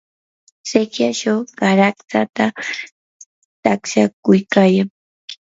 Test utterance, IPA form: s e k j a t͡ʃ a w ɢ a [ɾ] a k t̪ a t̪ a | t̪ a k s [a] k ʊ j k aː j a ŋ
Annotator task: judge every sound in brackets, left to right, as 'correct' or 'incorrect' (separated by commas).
correct, correct